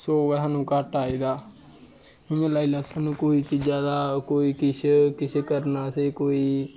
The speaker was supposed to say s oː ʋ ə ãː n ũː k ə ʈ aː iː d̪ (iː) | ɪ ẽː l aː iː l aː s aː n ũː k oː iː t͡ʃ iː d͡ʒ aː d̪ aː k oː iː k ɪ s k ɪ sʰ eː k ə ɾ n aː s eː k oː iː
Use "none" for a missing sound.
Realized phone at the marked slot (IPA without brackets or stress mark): aː